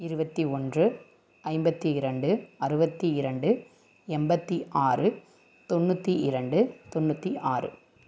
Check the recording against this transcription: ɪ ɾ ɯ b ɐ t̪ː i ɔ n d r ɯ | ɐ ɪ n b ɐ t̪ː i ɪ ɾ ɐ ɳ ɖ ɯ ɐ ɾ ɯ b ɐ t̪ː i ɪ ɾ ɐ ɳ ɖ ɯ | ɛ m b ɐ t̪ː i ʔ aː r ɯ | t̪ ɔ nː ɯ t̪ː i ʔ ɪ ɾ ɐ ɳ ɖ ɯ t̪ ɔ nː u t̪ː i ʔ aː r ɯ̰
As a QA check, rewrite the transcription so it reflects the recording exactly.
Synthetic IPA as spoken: ɪ ɾ ɯ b ɐ t̪ː i ɔ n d r ɯ | ɐ ɪ m b ɐ t̪ː i ɪ ɾ ɐ ɳ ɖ ɯ ɐ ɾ ɯ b ɐ t̪ː i ɪ ɾ ɐ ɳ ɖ ɯ | ɛ m b ɐ t̪ː i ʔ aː r ɯ | t̪ ɔ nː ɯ t̪ː i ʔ ɪ ɾ ɐ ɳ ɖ ɯ t̪ ɔ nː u t̪ː i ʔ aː r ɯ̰